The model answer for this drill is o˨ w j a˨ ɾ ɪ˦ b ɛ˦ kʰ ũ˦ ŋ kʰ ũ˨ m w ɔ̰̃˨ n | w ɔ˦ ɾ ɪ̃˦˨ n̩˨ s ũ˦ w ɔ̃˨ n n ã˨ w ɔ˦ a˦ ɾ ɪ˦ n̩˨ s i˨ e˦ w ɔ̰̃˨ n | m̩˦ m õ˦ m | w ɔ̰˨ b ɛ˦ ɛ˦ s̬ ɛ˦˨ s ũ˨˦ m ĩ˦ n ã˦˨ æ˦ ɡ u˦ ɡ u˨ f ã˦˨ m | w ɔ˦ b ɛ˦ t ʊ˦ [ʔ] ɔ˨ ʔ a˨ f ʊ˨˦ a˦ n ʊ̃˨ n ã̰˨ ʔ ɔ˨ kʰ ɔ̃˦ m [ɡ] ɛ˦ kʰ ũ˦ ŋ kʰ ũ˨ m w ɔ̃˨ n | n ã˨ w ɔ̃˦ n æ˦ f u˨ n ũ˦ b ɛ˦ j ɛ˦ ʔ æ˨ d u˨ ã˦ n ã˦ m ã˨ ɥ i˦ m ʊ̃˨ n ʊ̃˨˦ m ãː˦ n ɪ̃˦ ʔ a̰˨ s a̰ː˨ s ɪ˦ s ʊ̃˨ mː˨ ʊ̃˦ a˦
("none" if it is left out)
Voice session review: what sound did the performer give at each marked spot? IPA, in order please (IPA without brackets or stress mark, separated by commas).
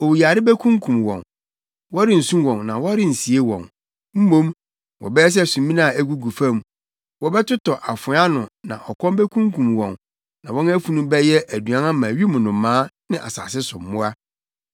t, b